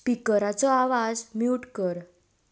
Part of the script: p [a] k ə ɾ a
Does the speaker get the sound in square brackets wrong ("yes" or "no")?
yes